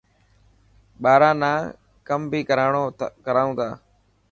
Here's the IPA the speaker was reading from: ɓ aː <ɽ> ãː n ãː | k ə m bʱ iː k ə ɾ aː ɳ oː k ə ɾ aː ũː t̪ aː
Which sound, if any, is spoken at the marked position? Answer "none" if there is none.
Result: ɾ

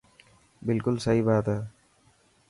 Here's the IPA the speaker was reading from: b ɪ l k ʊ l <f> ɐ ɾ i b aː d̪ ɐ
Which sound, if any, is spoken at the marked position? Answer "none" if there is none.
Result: s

